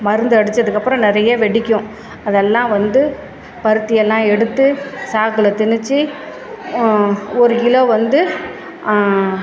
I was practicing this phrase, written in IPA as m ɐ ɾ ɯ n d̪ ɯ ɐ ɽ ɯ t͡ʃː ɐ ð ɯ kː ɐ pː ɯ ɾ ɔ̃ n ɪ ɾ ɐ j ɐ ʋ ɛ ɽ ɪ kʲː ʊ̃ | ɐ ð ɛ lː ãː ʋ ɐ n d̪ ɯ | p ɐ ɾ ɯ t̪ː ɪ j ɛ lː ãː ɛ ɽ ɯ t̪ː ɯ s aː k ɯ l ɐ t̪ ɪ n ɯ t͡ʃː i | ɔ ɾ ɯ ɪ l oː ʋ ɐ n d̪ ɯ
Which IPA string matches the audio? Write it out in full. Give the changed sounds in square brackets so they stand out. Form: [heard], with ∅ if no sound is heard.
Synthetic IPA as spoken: m ɐ ɾ ɯ n d̪ ɯ ɐ ɽ ɯ t͡ʃː ɐ ð ɯ kː ɐ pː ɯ ɾ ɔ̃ n ɪ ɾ ɐ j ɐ ʋ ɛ ɽ ɪ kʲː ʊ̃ | ɐ ð ɛ lː ãː ʋ ɐ n d̪ ɯ | p ɐ ɾ ɯ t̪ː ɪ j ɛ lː ãː ɛ ɽ ɯ t̪ː ɯ s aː k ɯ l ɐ t̪ ɪ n ɯ t͡ʃː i | ɔ ɾ ɯ ɪ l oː ʋ ɐ n d̪ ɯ

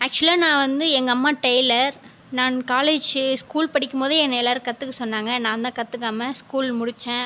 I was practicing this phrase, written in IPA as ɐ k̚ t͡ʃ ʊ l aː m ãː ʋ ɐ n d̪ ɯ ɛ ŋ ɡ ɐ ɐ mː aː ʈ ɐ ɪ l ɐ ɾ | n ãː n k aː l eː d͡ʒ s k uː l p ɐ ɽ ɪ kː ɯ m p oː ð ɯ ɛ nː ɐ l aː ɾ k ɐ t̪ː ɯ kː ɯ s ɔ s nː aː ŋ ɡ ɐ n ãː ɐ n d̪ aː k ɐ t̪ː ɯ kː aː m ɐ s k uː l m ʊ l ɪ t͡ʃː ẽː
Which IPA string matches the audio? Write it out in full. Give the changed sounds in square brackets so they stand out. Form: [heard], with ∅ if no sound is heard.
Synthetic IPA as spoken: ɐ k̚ t͡ʃ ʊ l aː [n] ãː ʋ ɐ n d̪ ɯ ɛ ŋ ɡ ɐ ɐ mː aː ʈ ɐ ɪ l ɐ ɾ | n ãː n k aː l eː d͡ʒ s k uː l p ɐ ɽ ɪ kː ɯ m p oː ð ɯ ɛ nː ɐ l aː ɾ k ɐ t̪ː ɯ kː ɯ s ɔ [∅] nː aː ŋ ɡ ɐ n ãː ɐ n d̪ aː k ɐ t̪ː ɯ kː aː m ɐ s k uː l m ʊ [ɽ] ɪ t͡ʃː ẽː

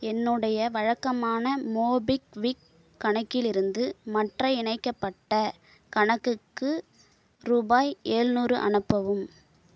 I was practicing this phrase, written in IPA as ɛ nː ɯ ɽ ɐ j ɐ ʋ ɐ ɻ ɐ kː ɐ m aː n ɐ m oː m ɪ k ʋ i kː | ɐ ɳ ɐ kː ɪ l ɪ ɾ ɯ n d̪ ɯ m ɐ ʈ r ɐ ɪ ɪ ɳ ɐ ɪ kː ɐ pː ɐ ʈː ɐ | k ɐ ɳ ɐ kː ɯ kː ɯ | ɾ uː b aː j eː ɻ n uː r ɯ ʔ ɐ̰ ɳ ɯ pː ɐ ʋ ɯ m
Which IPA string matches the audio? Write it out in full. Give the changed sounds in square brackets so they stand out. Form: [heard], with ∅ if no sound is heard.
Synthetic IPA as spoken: ɛ nː ɯ ɽ ɐ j ɐ ʋ ɐ ɻ ɐ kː ɐ m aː n ɐ m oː [b] ɪ k ʋ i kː | ɐ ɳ ɐ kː ɪ l ɪ ɾ ɯ n d̪ ɯ m ɐ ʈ r ɐ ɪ ɪ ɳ ɐ ɪ kː ɐ pː ɐ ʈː ɐ | k ɐ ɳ ɐ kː ɯ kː ɯ | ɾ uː b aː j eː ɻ n uː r ɯ ʔ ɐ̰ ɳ ɯ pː ɐ ʋ ɯ m

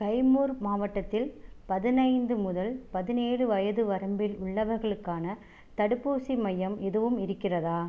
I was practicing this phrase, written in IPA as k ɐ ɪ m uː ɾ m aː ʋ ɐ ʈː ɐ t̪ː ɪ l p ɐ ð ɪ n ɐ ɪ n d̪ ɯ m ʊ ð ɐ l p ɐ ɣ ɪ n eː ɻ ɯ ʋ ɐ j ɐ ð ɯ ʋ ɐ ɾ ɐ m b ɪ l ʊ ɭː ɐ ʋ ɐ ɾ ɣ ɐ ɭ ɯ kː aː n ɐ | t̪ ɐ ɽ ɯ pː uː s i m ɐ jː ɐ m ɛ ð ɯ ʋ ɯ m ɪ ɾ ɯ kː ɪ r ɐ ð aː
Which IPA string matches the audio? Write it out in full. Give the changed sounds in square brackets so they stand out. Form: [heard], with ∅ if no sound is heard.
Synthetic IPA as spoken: k ɐ ɪ m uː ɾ m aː ʋ ɐ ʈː ɐ t̪ː ɪ l p ɐ ð ɪ n ɐ ɪ n d̪ ɯ m ʊ ð ɐ l p ɐ [ð] ɪ n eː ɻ ɯ ʋ ɐ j ɐ ð ɯ ʋ ɐ ɾ ɐ m b ɪ l ʊ ɭː ɐ ʋ ɐ ɾ ɣ ɐ ɭ ɯ kː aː n ɐ | t̪ ɐ ɽ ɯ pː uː s i m ɐ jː ɐ m ɛ ð ɯ ʋ ɯ m ɪ ɾ ɯ kː ɪ r ɐ ð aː

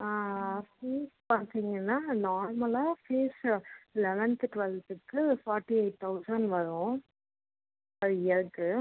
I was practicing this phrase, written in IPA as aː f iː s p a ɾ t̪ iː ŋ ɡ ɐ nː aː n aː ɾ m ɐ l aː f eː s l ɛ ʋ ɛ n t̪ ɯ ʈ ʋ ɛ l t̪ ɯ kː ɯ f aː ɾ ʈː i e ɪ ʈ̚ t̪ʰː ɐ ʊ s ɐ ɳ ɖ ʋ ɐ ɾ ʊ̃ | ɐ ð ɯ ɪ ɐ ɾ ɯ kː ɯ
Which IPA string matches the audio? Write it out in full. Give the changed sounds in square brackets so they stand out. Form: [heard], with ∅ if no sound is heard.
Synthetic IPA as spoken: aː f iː s p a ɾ t̪ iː ŋ ɡ ɐ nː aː n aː ɾ m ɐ l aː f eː s l ɛ ʋ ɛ n t̪ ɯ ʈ ʋ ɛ l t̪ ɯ kː ɯ f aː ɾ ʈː i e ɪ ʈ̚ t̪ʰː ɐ ʊ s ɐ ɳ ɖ ʋ ɐ ɾ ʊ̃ | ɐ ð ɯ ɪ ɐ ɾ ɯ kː ɯ

